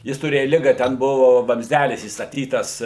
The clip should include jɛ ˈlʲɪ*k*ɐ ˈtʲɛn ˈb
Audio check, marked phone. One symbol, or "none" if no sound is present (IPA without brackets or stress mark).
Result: ɡ